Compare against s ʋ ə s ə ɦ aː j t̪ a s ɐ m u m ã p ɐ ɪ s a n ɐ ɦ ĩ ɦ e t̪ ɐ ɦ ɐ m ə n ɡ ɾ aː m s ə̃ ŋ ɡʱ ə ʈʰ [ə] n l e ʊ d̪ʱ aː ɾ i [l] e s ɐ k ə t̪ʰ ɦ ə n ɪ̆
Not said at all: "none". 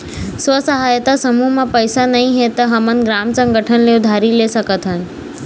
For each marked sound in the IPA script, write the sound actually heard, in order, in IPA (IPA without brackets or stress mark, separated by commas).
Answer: ə, l